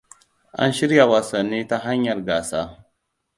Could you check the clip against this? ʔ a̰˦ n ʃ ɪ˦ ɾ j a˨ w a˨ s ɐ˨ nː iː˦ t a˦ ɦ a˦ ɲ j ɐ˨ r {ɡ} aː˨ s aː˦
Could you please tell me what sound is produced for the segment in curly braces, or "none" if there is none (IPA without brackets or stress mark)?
ɡ